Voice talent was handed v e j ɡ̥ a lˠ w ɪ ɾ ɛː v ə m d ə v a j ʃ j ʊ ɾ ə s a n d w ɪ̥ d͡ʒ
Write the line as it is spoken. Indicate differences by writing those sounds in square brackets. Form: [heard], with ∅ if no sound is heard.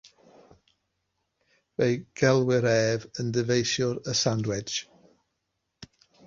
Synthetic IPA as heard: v e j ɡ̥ [ɛ] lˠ w ɪ ɾ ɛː v ə [n] d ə v [e] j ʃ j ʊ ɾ ə s a n d w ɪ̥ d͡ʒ